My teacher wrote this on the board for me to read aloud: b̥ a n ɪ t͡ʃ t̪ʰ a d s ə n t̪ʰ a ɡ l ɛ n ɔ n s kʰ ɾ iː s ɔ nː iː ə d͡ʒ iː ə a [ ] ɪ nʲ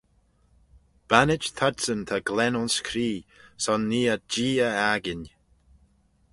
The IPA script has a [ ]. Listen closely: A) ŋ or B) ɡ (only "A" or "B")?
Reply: B